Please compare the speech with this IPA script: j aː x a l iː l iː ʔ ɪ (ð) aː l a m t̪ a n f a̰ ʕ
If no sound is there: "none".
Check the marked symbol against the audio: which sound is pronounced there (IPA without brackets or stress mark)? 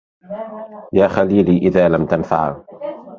ð